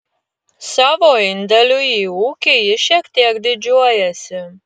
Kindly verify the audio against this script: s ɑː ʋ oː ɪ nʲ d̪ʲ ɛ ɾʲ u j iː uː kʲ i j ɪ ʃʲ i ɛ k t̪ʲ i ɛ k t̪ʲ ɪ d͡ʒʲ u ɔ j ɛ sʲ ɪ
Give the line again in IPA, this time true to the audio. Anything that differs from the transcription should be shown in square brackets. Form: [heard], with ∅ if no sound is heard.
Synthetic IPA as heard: s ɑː ʋ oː ɪ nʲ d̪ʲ ɛ [lʲ] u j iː uː kʲ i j ɪ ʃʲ i ɛ k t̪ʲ i ɛ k [d̪ʲ] ɪ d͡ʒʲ u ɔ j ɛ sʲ ɪ